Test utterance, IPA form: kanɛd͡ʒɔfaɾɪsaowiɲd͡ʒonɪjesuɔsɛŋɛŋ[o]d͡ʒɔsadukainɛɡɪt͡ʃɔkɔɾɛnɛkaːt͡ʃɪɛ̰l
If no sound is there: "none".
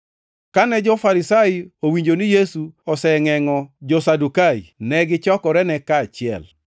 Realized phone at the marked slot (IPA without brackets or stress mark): ɔ